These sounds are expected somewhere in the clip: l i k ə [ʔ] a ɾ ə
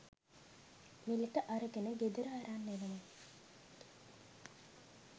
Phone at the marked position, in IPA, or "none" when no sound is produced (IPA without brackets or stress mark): ʔ